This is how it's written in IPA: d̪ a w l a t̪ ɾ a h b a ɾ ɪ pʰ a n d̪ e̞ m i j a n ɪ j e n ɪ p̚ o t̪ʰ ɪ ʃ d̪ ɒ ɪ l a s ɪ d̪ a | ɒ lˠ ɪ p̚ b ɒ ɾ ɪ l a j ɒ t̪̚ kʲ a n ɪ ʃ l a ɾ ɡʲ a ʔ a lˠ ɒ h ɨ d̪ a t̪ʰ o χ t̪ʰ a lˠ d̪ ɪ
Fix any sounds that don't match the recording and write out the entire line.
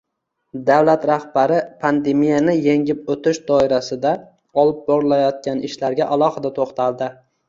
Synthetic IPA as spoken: d̪ a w l a t̪ ɾ a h b a ɾ ɪ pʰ a n d̪ e̞ m i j a n ɪ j e ŋ ɪ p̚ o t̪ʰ ɪ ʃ d̪ ɒ ɪ ɾ a s ɪ d̪ a | ɒ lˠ ɪ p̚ b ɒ ɾ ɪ l a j ɒ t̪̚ kʲ a n ɪ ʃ l a ɾ ɡʲ a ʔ a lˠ ɒ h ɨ d̪ a t̪ʰ o χ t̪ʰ a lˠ d̪ ɪ

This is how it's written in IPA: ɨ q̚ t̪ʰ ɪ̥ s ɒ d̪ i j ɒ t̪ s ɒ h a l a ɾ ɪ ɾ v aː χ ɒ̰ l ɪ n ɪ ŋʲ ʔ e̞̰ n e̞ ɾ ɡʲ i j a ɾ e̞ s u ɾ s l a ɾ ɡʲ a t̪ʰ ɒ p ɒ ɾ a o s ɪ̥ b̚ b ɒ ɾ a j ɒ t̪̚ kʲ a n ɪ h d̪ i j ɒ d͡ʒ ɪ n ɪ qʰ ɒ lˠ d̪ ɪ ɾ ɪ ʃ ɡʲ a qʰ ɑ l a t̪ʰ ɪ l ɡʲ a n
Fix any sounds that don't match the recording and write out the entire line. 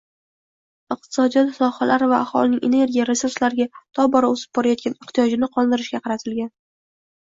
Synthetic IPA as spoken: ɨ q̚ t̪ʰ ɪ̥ s ɒ d̪ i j ɒ t̪ s ɒ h a l a ɾ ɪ v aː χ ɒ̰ l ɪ n ɪ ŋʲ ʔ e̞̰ n e̞ ɾ ɡʲ i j a ɾ e̞ s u ɾ s l a ɾ ɡʲ a t̪ʰ ɒ b ɒ ɾ a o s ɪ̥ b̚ b ɒ ɾ a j ɒ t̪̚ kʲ a n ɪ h t̪ i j ɒ d͡ʒ ɪ n ɪ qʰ ɒ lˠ d̪ ɪ ɾ ɪ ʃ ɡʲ a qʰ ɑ ɾ a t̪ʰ ɪ l ɡʲ a n

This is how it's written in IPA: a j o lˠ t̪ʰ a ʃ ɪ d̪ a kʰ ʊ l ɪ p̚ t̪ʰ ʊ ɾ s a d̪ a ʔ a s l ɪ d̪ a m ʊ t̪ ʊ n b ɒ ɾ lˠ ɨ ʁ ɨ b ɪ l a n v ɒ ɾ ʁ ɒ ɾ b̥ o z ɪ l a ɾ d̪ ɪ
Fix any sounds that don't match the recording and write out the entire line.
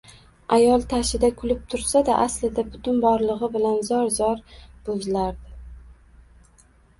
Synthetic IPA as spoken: a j ɒ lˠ t̪ʰ a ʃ ɪ d̪ a kʰ ʊ l ɪ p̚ t̪ʰ ʊ ɾ s a d̪ a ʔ a s l ɪ d̪ a b ʊ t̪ ʊ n b ɒ ɾ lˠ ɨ ʁ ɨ b ɪ l a n z ɒ ɾ z ɒ ɾ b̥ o z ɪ l a ɾ d̪ ɪ

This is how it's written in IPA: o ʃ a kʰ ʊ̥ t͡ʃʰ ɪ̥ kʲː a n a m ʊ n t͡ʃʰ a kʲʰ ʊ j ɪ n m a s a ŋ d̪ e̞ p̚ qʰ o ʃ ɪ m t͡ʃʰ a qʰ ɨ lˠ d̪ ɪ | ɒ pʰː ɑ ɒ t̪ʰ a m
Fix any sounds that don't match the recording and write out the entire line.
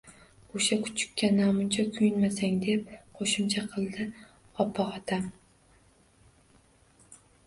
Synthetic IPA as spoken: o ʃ a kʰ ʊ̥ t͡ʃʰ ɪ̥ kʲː a n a m ʊ n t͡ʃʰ a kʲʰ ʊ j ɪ n m a s a ŋ d̪ e̞ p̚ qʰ o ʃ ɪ m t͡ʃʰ a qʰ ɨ lˠ d̪ ɪ | ɒ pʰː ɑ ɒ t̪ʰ a m

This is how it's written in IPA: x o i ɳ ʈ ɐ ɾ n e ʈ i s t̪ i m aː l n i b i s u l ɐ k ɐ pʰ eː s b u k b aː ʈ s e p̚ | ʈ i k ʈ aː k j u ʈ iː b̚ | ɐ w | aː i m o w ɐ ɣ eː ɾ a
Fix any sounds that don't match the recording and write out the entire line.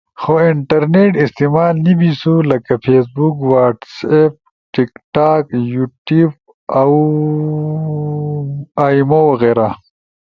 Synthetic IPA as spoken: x o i ɳ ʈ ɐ ɾ n e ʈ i s t̪ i m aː l n i b i s u l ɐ k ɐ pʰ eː s b u k w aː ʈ s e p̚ | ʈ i k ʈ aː k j u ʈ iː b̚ | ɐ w | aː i m o w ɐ ɣ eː ɾ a

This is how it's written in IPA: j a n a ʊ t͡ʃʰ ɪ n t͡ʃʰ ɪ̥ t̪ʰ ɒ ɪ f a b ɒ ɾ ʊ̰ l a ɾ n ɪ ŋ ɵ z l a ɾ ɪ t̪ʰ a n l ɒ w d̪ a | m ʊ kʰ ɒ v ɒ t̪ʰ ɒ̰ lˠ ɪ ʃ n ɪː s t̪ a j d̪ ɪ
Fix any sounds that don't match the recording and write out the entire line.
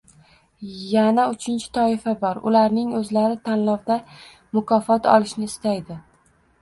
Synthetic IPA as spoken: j a n a ʊ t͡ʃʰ ɪ n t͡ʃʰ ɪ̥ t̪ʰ ɒ ɪ f a b ɒ ɾ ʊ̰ l a ɾ n ɪ ŋ ɵ z l a ɾ ɪ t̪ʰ a n l ɒ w d̪ a | m ʊ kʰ ɒ f ɒ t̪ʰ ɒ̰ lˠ ɪ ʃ n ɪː s t̪ a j d̪ ɪ

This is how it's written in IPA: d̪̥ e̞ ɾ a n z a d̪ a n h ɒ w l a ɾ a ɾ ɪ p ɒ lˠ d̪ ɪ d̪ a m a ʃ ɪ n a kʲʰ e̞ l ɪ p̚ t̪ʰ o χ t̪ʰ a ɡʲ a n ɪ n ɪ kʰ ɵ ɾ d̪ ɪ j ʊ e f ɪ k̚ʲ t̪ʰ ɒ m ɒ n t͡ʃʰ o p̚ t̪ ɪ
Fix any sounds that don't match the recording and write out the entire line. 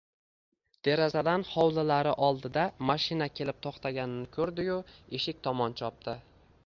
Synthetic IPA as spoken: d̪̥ e̞ ɾ a z a d̪ a n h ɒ w l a l a ɾ ɪ ʔ ɒ lˠ d̪ ɪ d̪ a m a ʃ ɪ n a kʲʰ e̞ l ɪ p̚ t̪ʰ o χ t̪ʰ a ɡʲ a n ɪ n ɪ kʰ ɵ ɾ d̪ ɪ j ʊ e ʃ ɪ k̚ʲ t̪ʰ ɒ m ɒ n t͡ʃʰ ɒ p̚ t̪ ɪ

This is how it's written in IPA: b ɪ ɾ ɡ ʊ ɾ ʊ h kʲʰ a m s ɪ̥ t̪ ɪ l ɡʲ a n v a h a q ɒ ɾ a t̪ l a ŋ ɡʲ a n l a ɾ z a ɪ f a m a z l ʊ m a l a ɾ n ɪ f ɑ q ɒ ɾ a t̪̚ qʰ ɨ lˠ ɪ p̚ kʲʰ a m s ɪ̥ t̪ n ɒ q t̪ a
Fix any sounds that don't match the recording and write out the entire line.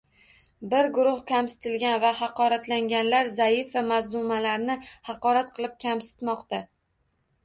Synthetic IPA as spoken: b ɪ ɾ ɡ ʊ ɾ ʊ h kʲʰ a m s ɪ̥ t̪ ɪ l ɡʲ a n v a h ɑ q ɒ ɾ a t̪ l a ŋ ɡʲ a n l a ɾ z a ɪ f a m a z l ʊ m a l a ɾ n ɪ h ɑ q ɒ ɾ a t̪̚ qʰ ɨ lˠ ɪ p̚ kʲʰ a m s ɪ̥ t̪ m ɒ q t̪ a

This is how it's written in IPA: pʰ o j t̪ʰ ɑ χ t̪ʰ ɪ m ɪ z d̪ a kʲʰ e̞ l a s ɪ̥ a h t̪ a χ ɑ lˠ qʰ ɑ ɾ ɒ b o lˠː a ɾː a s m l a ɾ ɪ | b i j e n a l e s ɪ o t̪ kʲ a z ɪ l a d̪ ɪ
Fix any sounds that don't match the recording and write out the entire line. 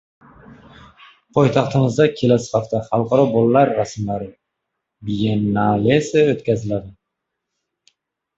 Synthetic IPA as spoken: pʰ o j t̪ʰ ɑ χ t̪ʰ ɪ m ɪ z d̪ a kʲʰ e̞ l a s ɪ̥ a f t̪ a χ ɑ lˠ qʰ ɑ ɾ ɒ b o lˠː a ɾː a s m l a ɾ ɪ | b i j e n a l e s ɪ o t̪ kʲ a z ɪ l a d̪ ɪ

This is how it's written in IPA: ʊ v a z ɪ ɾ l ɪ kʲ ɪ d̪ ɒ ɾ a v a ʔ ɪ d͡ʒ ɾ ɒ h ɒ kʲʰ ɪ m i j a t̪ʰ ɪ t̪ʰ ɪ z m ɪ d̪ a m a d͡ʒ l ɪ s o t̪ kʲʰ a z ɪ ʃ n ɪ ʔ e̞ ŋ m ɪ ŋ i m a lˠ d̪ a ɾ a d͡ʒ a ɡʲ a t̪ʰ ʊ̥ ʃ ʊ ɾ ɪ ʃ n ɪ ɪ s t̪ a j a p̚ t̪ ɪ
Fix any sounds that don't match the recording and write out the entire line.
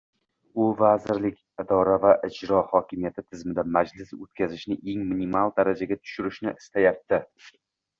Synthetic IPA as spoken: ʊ v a z ɪ ɾ l ɪ kʲ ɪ d̪ ɒ ɾ a v a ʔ ɪ d͡ʒ ɾ ɒ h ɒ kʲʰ ɪ m i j a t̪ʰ ɪ t̪ʰ ɪ z m ɪ d̪ a m a d͡ʒ l ɪ s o t̪ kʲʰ a z ɪ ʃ n ɪ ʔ e̞ ŋ m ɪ n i m a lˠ d̪ a ɾ a d͡ʒ a ɡʲ a t̪ʰ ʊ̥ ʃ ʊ ɾ ɪ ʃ n ɪ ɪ s t̪ a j a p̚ t̪ ɪ

